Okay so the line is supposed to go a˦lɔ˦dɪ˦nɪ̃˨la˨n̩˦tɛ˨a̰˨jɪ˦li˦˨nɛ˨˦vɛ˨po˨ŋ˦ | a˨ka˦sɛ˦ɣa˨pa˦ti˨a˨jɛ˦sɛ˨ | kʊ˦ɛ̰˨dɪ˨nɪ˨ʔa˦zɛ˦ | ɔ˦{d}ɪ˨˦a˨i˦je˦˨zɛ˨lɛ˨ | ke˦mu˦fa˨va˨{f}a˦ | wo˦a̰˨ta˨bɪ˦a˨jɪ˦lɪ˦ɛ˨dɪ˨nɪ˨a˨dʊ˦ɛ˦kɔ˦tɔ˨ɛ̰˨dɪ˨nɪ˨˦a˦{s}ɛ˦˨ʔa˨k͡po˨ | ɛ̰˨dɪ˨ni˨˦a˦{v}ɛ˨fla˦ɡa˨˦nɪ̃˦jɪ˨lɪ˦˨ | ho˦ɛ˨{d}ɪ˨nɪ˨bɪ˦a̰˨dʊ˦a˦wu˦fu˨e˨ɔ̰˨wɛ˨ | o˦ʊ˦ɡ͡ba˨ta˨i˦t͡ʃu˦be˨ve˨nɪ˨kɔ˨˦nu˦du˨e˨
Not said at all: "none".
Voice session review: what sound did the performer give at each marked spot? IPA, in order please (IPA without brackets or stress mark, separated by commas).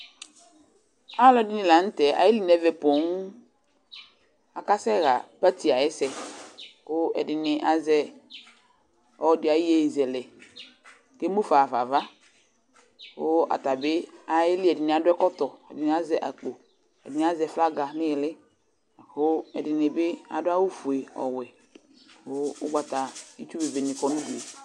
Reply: d, v, z, z, d